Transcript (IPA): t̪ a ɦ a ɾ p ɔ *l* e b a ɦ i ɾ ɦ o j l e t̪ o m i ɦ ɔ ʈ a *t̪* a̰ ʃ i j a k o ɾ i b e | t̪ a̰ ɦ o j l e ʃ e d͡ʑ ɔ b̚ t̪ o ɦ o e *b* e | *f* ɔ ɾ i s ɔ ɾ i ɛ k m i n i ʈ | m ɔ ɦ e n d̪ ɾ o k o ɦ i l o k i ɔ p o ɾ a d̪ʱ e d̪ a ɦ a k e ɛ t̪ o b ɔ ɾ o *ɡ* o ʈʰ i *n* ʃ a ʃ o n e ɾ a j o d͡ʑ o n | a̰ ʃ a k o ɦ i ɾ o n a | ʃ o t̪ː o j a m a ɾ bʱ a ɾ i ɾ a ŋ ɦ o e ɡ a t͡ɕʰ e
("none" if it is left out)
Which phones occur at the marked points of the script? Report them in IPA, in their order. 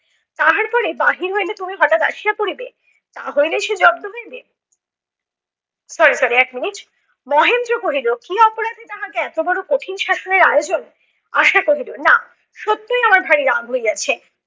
ɾ, t̪, b, s, k, n

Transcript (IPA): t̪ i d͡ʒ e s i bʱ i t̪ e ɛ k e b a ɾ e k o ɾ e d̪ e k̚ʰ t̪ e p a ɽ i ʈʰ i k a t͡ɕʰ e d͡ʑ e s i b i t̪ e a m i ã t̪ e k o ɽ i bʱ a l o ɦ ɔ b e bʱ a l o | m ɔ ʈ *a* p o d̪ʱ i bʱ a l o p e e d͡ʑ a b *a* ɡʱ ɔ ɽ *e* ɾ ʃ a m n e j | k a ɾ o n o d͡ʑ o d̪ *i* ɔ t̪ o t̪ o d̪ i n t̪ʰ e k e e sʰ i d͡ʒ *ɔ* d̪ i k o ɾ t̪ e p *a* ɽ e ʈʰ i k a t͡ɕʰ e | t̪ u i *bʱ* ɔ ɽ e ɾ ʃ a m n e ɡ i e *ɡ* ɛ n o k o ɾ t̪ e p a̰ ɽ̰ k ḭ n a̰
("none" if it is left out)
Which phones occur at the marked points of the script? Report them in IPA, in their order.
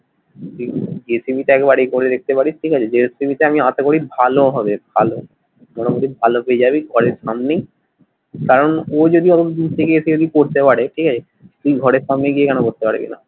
a, i, e, i, o, a, ɡʱ, k

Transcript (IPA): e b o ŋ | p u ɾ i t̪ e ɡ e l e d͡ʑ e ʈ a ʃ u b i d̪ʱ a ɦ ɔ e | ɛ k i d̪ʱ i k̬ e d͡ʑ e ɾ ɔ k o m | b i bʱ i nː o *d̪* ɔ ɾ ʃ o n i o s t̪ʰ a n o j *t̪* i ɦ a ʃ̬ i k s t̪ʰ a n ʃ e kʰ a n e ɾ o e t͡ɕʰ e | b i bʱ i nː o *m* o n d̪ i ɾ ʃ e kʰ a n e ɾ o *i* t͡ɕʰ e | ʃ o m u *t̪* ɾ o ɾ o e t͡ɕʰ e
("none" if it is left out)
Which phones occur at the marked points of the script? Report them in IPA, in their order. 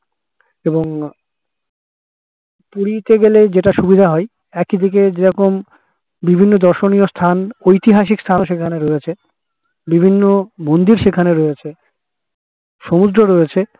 d̪, t̪, m, e, d̪

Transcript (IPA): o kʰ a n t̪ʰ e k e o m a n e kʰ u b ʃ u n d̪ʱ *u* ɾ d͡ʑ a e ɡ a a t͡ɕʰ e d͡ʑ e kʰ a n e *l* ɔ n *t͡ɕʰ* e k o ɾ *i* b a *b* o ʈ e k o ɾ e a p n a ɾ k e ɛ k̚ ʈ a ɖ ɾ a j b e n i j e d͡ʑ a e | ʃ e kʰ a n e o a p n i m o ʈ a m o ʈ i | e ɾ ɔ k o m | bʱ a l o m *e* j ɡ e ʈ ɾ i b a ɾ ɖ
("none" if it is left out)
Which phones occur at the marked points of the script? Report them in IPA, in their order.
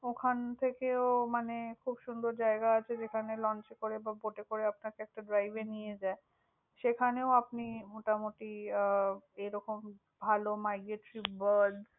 o, l, t͡ɕ, e, b, a

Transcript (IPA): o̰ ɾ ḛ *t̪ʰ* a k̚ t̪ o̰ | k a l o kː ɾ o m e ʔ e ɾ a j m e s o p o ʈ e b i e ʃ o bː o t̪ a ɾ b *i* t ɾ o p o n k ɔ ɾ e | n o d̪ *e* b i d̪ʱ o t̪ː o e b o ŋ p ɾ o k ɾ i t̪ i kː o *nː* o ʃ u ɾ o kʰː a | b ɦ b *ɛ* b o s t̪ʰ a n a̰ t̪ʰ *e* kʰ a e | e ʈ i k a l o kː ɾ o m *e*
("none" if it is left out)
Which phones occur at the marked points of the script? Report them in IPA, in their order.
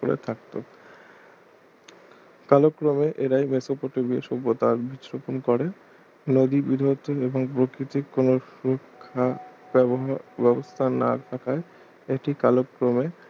t̪ʰ, i, i, n, ɛ, a, e

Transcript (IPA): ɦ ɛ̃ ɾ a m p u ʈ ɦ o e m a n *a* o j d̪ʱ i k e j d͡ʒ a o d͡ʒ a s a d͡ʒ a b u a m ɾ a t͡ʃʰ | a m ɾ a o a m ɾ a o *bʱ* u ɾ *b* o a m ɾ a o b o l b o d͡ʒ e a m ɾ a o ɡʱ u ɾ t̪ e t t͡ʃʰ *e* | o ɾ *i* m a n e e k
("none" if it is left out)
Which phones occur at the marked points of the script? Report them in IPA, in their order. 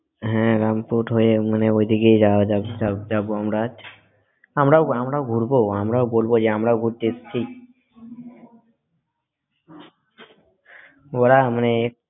e, ɡʱ, b, i, a

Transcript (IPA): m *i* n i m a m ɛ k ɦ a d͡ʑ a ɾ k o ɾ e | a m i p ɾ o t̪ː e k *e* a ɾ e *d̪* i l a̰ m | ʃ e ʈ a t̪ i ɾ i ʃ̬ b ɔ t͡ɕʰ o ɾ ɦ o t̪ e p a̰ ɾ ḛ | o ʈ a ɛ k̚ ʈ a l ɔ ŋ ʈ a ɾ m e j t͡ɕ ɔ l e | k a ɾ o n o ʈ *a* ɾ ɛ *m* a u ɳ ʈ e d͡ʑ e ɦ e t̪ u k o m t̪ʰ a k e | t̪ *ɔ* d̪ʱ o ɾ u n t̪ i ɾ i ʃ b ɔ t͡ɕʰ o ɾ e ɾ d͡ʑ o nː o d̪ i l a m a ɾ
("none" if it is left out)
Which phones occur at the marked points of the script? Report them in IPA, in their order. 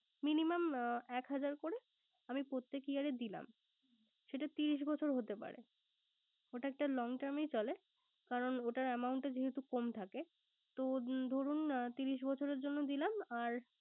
i, i, d̪, a, m, o

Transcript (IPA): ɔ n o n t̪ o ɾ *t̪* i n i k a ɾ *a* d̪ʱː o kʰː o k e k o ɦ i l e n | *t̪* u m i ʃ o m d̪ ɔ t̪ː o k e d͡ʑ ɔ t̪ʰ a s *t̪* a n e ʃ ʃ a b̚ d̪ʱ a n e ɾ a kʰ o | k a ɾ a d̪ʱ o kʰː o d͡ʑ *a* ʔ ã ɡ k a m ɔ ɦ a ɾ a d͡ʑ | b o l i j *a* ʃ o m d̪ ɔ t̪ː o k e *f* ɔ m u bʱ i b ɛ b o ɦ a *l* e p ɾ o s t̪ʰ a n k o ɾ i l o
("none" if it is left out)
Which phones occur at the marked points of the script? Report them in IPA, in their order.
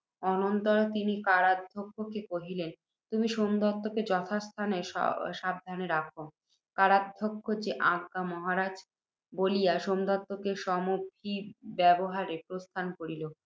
t̪, a, t̪, t̪ʰ, e, a, ʃ, ɾ

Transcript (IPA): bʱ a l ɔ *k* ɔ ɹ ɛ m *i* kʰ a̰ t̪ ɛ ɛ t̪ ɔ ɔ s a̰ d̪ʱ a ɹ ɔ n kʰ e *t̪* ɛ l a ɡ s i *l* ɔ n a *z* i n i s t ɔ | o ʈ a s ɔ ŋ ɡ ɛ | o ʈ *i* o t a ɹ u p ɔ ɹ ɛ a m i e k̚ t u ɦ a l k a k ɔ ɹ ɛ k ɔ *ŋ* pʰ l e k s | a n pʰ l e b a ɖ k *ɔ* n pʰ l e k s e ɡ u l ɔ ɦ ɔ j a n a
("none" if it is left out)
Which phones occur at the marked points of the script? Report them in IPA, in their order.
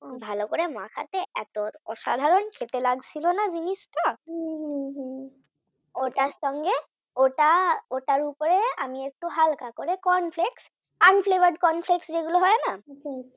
k, a, t̪, l, z, a, n, ɔ

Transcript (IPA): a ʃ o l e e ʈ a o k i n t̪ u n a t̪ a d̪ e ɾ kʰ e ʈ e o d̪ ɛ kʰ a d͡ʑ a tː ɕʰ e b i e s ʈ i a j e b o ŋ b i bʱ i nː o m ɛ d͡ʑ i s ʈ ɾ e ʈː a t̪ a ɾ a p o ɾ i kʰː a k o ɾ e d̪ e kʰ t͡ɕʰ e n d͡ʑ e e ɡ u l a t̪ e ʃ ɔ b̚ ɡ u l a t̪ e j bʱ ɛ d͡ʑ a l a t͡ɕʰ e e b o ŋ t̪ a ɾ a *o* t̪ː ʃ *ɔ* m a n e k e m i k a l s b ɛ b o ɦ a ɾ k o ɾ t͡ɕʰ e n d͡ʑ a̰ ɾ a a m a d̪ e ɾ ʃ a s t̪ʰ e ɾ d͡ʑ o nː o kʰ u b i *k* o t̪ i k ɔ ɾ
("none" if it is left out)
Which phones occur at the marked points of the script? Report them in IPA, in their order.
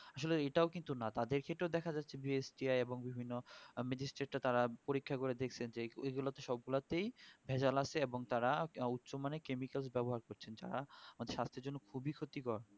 u, o, kʰ

